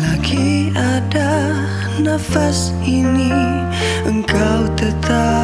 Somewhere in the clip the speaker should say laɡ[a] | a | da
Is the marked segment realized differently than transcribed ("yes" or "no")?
yes